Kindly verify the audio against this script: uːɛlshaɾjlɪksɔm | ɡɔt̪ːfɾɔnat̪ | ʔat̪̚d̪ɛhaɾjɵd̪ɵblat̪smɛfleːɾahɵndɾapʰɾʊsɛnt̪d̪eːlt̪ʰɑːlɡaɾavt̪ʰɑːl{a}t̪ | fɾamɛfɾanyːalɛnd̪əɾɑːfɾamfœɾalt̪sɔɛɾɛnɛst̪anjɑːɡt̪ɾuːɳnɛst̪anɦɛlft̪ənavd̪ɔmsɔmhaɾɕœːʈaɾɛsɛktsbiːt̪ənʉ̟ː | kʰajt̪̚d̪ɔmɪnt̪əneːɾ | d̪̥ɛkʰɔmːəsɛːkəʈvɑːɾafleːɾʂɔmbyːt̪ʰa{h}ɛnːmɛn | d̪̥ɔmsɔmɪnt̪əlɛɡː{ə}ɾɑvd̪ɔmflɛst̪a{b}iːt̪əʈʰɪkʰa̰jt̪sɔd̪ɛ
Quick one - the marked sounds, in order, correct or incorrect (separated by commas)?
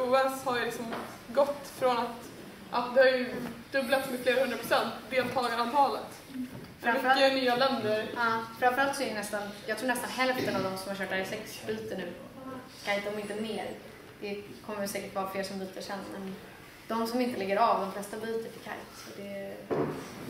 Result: incorrect, incorrect, correct, correct